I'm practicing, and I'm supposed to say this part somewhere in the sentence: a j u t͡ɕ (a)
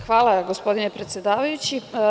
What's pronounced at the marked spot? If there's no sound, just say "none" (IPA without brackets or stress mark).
i